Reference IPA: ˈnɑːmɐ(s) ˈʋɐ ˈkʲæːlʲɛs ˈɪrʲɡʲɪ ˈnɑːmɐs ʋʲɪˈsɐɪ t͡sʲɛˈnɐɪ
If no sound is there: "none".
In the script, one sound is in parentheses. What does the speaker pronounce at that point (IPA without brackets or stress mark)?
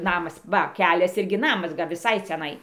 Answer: s